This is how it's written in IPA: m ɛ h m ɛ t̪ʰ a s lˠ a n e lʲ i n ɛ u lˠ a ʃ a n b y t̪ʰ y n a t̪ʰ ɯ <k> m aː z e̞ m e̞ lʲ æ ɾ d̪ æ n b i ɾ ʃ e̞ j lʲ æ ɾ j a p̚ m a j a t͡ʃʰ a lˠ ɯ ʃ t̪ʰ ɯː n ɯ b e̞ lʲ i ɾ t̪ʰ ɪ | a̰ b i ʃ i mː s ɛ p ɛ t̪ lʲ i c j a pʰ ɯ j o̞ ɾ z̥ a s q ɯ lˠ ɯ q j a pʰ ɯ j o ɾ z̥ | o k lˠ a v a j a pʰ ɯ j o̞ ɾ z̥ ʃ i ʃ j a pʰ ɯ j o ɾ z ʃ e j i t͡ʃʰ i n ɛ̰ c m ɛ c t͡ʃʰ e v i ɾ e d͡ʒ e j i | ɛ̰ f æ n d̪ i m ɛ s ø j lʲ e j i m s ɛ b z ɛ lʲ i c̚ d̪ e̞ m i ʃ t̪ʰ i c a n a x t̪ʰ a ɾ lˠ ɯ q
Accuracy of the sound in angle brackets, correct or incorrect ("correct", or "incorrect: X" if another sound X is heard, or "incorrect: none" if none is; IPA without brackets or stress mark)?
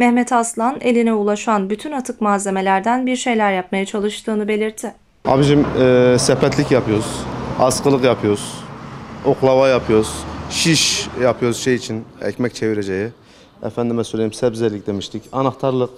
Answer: correct